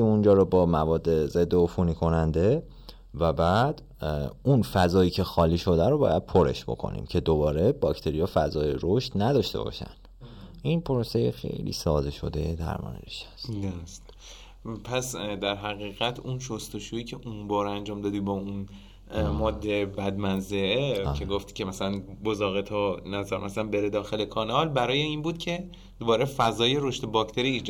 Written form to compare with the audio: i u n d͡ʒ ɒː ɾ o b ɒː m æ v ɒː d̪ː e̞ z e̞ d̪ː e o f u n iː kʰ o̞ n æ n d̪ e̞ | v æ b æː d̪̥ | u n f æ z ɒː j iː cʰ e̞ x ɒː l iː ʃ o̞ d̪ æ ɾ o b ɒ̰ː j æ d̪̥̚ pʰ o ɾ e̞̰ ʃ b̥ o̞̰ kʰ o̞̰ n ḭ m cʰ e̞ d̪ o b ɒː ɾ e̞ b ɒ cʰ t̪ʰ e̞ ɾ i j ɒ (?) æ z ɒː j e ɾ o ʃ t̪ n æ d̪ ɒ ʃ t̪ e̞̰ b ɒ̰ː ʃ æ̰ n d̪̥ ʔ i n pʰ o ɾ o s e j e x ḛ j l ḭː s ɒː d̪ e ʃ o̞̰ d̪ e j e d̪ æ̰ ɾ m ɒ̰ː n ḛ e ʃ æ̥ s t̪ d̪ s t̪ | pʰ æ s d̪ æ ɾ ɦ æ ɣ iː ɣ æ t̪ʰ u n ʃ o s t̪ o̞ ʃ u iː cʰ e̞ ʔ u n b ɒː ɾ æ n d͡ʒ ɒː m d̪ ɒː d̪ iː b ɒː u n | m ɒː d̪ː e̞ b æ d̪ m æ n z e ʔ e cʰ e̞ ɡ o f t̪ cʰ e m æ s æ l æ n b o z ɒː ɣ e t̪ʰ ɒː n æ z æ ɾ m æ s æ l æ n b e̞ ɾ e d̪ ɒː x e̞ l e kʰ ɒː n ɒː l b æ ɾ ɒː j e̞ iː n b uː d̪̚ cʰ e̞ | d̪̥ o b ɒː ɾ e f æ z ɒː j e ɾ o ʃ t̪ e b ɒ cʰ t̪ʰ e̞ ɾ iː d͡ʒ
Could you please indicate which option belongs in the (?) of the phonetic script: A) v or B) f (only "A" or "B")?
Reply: B